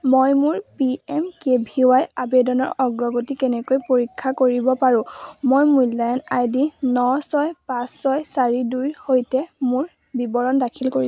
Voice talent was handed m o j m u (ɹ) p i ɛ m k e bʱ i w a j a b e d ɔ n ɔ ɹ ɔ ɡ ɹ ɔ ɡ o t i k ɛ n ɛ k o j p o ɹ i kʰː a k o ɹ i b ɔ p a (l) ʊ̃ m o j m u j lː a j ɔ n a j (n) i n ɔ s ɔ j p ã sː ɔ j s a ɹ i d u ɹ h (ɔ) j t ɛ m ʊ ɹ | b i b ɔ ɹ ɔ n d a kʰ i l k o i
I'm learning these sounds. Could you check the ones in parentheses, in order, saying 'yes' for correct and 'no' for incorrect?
yes, no, no, no

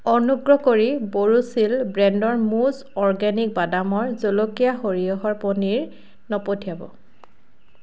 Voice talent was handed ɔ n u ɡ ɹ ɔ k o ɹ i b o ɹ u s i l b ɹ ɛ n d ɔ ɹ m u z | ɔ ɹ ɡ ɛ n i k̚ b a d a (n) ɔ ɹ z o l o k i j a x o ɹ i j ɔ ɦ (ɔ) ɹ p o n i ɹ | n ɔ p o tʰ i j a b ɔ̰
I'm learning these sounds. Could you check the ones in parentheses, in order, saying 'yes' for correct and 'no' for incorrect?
no, yes

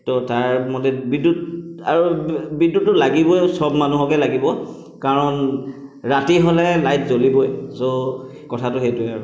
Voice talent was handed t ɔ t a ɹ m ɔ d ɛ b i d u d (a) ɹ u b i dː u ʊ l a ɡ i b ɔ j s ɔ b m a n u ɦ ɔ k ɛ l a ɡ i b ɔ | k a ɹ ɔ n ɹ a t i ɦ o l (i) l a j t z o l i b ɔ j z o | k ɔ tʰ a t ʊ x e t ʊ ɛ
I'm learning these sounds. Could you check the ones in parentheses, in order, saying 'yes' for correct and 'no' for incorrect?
yes, no

